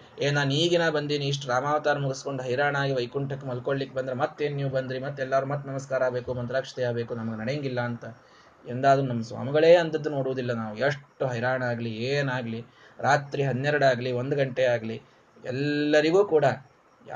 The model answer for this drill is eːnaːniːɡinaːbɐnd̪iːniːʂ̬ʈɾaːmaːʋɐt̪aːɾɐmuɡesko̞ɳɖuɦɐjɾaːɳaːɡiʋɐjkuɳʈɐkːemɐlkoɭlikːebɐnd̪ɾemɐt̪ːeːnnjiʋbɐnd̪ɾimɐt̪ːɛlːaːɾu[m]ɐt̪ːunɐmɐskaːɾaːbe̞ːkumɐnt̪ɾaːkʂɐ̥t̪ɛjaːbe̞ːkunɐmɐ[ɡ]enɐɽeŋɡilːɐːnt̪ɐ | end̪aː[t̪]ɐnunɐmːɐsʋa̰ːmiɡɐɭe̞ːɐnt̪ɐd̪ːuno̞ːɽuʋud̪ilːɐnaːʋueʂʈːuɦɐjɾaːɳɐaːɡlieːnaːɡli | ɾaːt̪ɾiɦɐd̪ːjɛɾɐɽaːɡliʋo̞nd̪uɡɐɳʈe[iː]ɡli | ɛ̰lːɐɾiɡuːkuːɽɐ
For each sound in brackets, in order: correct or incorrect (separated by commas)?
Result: correct, correct, incorrect, incorrect